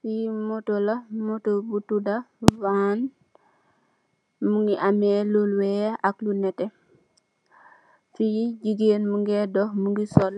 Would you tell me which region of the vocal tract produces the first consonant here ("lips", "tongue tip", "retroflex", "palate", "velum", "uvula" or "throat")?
lips